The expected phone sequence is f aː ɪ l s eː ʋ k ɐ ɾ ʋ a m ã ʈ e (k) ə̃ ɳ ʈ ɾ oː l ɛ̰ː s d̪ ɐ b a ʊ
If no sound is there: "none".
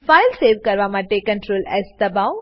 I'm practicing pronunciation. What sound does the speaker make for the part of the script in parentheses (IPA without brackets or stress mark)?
k